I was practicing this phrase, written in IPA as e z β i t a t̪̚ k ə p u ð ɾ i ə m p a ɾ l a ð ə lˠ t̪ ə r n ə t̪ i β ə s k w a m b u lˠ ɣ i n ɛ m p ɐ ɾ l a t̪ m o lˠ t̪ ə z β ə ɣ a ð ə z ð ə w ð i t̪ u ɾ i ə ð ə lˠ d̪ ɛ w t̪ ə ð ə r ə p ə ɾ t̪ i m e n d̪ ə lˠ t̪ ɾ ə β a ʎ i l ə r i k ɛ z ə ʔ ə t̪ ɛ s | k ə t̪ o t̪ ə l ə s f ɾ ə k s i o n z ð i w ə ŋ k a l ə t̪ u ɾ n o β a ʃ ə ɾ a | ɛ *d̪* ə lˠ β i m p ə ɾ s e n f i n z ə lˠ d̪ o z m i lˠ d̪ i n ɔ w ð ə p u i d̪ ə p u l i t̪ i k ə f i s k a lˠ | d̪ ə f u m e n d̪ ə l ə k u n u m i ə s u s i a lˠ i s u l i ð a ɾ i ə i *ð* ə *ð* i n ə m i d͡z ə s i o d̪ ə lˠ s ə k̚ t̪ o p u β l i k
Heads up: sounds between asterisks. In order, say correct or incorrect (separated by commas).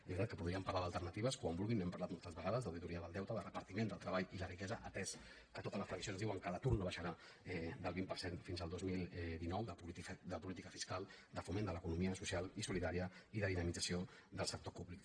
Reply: correct, correct, correct